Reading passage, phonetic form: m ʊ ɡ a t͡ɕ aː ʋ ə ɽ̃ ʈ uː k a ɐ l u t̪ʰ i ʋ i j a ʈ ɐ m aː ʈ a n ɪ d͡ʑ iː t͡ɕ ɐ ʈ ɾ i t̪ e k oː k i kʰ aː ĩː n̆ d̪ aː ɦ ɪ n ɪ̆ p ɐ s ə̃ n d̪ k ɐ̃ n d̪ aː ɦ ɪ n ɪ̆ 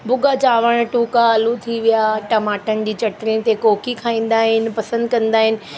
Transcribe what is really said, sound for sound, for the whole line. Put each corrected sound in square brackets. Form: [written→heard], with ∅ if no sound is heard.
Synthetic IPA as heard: [m→b] ʊ ɡ a t͡ɕ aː ʋ ə ɽ̃ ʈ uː k a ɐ l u t̪ʰ i ʋ i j a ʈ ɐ m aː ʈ [a→ə] n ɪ d͡ʑ iː t͡ɕ ɐ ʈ ɾ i t̪ e k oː k i kʰ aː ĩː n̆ d̪ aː ɦ ɪ n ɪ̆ p ɐ s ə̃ n d̪ k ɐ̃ n d̪ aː ɦ ɪ n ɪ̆